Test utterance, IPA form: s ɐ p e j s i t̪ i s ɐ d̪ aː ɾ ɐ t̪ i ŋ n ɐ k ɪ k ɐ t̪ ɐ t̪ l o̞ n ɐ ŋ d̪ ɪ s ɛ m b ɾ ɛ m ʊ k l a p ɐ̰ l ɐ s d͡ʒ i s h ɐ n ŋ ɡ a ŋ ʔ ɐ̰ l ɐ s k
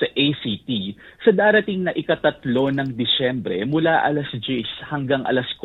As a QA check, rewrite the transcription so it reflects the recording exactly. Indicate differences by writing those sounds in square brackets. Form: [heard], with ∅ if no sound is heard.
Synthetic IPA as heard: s ɐ [ʔ] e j s i t̪ i s ɐ d̪ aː ɾ ɐ t̪ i ŋ n ɐ [ʔ] ɪ k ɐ t̪ ɐ t̪ l o̞ n ɐ ŋ d̪ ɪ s ɛ m b ɾ ɛ m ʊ [∅] l a [ʔ] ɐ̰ l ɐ s d͡ʒ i s h ɐ [∅] ŋ ɡ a ŋ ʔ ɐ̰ l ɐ s k